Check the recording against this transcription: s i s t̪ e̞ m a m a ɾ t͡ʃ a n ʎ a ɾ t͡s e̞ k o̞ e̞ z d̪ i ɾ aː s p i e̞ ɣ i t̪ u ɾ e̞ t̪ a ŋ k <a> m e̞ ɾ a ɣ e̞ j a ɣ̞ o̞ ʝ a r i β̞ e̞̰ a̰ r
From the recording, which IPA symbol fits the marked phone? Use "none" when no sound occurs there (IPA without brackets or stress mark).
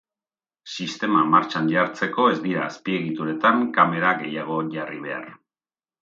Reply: a